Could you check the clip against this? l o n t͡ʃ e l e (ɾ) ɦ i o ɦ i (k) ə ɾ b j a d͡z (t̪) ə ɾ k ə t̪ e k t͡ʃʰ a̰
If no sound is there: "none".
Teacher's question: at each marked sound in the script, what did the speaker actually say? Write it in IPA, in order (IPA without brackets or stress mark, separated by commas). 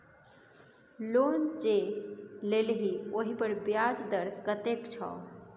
l, p, d̪